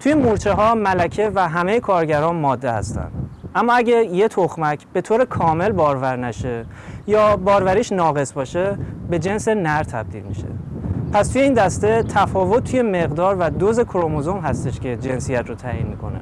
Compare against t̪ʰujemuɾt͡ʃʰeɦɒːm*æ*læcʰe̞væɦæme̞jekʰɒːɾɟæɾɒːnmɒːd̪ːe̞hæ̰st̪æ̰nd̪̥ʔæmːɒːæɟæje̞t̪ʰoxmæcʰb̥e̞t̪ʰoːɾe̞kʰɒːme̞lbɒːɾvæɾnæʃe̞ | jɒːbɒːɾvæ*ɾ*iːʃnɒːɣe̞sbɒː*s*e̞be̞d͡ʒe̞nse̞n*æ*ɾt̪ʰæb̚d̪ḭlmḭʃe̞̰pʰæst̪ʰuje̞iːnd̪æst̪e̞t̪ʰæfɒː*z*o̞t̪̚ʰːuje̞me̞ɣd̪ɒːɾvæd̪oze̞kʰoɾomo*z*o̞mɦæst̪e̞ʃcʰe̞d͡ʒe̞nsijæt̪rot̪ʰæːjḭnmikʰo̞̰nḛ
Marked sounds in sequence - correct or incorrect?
correct, correct, incorrect, correct, incorrect, correct

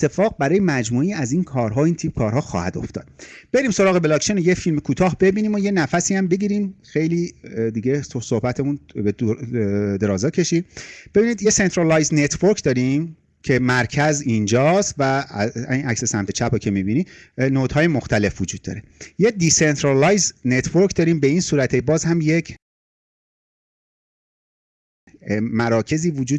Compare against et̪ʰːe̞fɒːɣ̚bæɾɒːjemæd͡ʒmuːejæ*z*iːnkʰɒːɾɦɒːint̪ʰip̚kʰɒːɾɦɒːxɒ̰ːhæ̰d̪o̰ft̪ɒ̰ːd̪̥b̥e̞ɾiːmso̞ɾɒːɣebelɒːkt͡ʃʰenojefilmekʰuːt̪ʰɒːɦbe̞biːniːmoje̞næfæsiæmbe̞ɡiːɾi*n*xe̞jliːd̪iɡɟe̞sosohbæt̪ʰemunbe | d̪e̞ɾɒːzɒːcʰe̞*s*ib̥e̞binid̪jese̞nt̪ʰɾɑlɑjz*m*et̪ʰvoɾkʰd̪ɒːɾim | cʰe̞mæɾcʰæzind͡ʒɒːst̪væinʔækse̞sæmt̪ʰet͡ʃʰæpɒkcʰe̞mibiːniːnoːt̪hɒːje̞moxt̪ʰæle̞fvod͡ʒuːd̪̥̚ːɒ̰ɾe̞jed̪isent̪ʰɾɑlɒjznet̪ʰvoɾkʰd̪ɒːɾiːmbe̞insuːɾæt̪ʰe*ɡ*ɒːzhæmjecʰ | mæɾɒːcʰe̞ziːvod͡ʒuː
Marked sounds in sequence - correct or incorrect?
correct, incorrect, incorrect, incorrect, incorrect

